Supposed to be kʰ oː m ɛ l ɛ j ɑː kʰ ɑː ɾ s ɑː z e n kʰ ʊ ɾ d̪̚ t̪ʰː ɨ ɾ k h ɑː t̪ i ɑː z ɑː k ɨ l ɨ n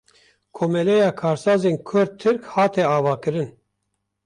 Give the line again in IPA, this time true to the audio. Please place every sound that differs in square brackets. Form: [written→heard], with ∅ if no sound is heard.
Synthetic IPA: kʰ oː m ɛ l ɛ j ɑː kʰ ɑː ɾ s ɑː z e n kʰ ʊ ɾ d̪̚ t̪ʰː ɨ ɾ k h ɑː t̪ [i→ɛ] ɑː [z→v] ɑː k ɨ [l→ɾ] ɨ n